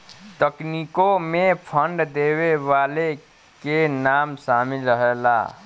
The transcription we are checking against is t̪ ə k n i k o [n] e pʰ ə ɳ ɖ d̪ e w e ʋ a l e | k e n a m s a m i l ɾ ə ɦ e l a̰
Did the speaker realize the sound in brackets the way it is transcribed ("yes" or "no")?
no